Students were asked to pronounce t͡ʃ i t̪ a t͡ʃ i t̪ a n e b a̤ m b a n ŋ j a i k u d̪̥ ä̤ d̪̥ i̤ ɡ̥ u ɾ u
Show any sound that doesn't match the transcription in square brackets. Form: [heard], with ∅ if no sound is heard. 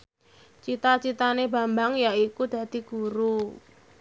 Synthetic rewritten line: t͡ʃ i t̪ a t͡ʃ i t̪ a n e b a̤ m b a [∅] ŋ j a i k u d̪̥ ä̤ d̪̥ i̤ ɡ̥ u ɾ u